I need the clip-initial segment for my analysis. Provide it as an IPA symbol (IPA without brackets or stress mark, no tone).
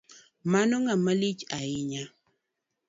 m